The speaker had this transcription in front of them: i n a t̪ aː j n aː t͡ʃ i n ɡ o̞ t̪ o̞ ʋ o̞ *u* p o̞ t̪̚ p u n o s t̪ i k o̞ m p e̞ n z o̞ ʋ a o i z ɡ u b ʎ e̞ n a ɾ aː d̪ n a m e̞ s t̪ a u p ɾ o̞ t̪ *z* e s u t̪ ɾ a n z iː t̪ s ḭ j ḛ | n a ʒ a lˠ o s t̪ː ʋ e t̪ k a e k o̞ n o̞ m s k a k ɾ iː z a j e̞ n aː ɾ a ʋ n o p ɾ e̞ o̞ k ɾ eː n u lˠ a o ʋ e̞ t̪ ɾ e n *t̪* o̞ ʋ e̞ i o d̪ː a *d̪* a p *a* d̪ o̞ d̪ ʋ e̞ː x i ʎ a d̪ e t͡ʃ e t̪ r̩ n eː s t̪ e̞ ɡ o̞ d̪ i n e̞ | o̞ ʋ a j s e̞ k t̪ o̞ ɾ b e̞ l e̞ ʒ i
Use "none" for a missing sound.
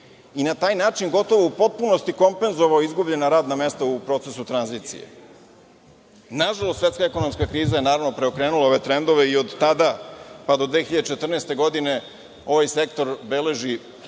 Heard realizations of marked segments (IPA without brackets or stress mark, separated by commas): u, s, d̪, d̪, a